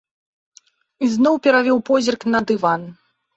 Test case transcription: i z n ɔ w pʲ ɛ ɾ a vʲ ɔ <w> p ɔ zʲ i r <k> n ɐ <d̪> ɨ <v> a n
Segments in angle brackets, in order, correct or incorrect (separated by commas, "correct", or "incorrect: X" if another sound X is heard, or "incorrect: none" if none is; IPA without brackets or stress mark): correct, correct, correct, correct